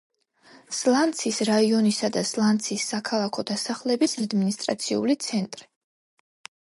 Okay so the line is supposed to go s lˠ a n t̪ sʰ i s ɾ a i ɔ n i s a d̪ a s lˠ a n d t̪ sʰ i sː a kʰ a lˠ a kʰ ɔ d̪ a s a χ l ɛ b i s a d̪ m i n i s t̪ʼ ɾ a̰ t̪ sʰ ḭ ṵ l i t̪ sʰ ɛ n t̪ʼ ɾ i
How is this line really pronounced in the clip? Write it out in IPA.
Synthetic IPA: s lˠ a n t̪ sʰ i s ɾ a i ɔ n i s a d̪ a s lˠ a n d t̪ sʰ i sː a kʰ a lˠ a kʰ ɔ d̪ a s a χ l ɛ b i s a d̪ m i n i s t̪ʼ ɾ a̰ t̪ sʰ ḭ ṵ l i t̪ sʰ ɛ n t̪ʼ ɾ i